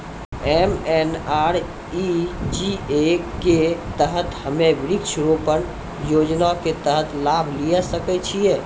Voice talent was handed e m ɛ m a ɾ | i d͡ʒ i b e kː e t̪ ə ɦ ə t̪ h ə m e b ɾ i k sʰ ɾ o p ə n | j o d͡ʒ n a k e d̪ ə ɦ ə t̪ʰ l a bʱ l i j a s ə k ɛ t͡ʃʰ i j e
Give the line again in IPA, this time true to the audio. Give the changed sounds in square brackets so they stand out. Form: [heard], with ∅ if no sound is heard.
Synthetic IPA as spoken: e m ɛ [n] a ɾ | i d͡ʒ i [∅] e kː e t̪ ə ɦ ə t̪ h ə m e b ɾ i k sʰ ɾ o p ə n | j o d͡ʒ n a k e [t̪] ə ɦ ə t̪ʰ l a bʱ l i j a s ə k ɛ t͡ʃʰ i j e